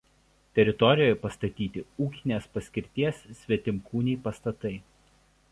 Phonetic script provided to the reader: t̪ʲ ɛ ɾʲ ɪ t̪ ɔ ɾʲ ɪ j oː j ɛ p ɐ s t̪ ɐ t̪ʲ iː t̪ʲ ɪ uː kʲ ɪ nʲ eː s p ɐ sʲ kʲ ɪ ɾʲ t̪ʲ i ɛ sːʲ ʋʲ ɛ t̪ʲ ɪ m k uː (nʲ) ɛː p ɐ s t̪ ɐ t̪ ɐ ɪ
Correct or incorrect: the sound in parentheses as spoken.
correct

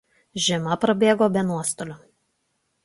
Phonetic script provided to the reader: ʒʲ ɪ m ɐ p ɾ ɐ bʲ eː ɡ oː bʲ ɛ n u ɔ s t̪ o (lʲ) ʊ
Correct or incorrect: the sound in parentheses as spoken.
correct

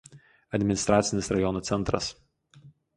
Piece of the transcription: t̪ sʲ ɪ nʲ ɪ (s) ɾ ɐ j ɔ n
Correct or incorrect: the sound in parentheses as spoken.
correct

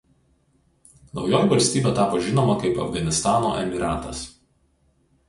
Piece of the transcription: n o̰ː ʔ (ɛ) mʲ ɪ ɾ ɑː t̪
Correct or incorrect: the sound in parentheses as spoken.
correct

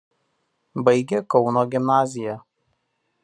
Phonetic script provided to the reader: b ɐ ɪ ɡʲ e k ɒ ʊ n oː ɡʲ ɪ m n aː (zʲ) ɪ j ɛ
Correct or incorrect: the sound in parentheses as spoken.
correct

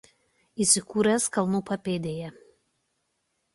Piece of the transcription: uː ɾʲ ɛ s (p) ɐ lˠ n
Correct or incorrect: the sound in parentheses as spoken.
incorrect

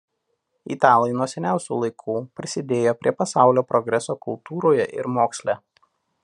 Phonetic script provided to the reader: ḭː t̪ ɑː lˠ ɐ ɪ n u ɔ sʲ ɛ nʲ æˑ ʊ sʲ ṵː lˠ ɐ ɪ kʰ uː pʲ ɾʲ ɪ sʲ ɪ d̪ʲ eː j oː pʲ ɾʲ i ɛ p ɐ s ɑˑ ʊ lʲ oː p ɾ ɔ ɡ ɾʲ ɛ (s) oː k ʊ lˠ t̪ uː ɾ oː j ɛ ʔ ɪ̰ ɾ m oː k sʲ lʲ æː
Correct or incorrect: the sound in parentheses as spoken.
correct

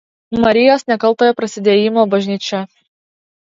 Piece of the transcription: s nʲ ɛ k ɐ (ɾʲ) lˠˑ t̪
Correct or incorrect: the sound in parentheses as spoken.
incorrect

